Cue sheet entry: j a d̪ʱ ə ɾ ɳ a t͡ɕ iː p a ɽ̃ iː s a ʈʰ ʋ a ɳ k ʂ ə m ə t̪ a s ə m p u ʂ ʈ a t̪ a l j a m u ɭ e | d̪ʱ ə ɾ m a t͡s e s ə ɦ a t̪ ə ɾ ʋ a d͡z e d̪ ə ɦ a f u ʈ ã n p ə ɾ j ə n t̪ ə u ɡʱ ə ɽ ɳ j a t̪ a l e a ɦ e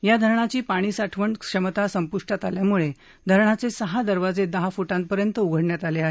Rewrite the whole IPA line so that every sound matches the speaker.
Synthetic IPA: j a d̪ʱ ə ɾ ɳ a t͡ɕ iː p a ɽ̃ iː s a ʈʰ ʋ ə ɳ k ʂ ə m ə t̪ a s ə m p u ʂ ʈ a t̪ a l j a m u ɭ e | d̪ʱ ə ɾ ɳ a t͡s e s ə ɦ a d̪ ə ɾ ʋ a d͡z e d̪ ə ɦ a f u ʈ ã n p ə ɾ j ə n t̪ ə u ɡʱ ə ɽ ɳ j a t̪ a l e a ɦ e

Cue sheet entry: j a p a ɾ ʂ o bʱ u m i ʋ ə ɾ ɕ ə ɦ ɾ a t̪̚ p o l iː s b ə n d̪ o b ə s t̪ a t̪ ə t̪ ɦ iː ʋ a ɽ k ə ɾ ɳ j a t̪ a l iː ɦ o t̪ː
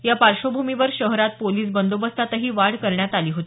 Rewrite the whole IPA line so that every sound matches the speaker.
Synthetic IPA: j a p a ɾ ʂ o bʱ u m i ʋ ə ɾ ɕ ə ɦ ɾ a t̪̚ p o l iː s b ə n d̪ o b ə s t̪ a t̪ ə ɦ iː ʋ a ɽ k ə ɾ ɳ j a t̪ a l iː ɦ o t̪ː

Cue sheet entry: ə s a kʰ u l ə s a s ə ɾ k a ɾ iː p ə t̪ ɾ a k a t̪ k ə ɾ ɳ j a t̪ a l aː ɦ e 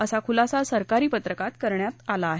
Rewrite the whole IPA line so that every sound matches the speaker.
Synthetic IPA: ə s a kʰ u l a s a s ə ɾ k a ɾ iː p ə t̪ ɾ ə k a t̪ k ə ɾ ɳ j a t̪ a l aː ɦ e

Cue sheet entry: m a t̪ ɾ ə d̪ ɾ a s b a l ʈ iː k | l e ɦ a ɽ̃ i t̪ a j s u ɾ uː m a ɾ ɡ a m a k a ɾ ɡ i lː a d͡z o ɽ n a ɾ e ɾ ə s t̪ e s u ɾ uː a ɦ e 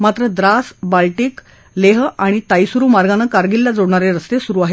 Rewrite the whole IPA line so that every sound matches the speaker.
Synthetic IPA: m a t̪ ɾ ə d̪ ɾ a s b a l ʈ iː k | l e ɦ a ɽ̃ i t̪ a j s u ɾ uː m a ɾ ɡ a n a k a ɾ ɡ i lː a d͡z o ɽ ɳ a ɾ e ɾ ə s t̪ e s u ɾ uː a ɦ e

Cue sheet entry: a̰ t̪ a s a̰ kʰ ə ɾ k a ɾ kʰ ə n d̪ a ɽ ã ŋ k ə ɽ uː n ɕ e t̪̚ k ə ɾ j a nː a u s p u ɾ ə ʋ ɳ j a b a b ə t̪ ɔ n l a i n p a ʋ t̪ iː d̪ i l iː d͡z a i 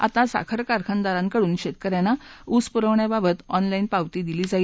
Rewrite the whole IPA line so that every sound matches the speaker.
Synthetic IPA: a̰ t̪ a s a̰ kʰ ə ɾ k a ɾ kʰ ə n d̪ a ɾ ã ŋ k ə ɽ uː n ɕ e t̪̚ k ə ɾ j a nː a u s p u ɾ ə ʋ ɳ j a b a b ə t̪ ɔ n l a i n p a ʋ t̪ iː d̪ i l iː d͡z a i

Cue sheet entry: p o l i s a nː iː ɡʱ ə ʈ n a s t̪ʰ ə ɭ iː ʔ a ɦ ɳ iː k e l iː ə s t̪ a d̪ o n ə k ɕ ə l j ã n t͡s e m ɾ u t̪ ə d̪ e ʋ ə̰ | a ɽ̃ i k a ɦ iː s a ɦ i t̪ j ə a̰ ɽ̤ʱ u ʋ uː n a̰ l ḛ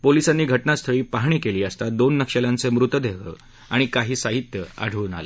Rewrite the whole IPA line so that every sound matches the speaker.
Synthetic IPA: p o l i s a nː iː ɡʱ ə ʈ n a s t̪ʰ ə ɭ iː p a ɦ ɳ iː k e l iː ə s t̪ a d̪ o nː ə k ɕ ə l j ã n t͡s e m ɾ u t̪ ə d̪ e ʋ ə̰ | a ɽ̃ i k a ɦ iː s a ɦ i t̪ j ə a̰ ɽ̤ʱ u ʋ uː n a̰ l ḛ

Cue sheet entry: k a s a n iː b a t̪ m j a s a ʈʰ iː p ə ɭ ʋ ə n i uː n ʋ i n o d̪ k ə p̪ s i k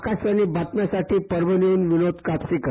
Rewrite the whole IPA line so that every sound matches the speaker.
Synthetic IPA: k a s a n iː b a t̪ m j a s a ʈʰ iː p ə ɾ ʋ ə n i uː n ʋ i n o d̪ k a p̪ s i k

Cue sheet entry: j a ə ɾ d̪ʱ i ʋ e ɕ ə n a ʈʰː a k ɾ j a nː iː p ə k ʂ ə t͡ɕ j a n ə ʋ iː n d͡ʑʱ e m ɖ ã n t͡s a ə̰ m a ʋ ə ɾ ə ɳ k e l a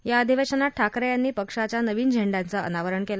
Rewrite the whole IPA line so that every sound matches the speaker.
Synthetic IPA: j a ə d̪ʱ i ʋ e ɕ ə n a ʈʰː a k ɾ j a nː iː p ə k ʂ a t͡ɕ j a n ə ʋ iː n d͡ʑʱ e ɳ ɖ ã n t͡s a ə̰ n a ʋ ə ɾ ə ɳ k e l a

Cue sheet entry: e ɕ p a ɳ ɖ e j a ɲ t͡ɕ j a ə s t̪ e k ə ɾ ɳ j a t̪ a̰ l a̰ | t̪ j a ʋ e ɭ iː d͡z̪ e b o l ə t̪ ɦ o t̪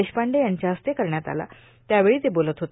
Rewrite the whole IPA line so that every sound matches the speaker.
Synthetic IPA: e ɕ p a ɳ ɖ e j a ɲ t͡ɕ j a ə s t̪ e k ə ɾ ɳ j a t̪ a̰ l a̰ | t̪ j a ʋ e ɭ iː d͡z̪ e b o l ə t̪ ɦ o t̪

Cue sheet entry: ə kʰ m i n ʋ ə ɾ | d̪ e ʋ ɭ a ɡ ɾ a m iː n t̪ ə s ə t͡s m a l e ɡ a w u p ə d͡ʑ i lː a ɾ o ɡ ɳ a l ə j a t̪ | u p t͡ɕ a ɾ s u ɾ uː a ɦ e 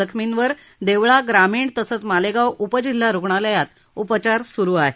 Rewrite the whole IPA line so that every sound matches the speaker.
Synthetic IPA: ə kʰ m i n ʋ ə ɾ | d̪ e ʋ ɭ a ɡ ɾ a m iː ɳ t̪ ə s ə t͡s m a l e ɡ a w u p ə d͡ʑ i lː a ɾ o ɡ ɳ a l ə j a t̪ | u p t͡ɕ a ɾ s u ɾ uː a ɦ e

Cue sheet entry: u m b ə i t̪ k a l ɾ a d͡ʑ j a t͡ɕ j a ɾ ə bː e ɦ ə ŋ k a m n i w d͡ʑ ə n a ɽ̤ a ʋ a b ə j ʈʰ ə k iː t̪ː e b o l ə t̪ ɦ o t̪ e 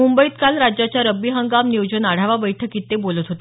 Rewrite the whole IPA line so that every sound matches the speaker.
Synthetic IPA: u m b ə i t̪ k a l ɾ a d͡ʑ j a t͡ɕ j a ɾ ə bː i ɦ ə ŋ ɡ a m n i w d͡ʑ ə n a ɽ̤ a ʋ a b ə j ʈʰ ə k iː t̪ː e b o l ə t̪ ɦ o t̪ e

